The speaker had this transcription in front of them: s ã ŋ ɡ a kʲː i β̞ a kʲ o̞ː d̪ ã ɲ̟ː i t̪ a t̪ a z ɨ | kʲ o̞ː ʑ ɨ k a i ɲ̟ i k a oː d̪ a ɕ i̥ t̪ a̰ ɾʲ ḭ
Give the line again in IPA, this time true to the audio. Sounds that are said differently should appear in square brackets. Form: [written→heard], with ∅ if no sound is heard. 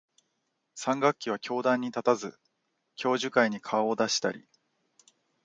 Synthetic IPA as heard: s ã ŋ ɡ a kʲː i β̞ a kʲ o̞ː d̪ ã ɲ̟ː i t̪ a t̪ a z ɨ | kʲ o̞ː ʑ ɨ k a i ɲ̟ i [k→kʰ] a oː d̪ a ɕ i̥ t̪ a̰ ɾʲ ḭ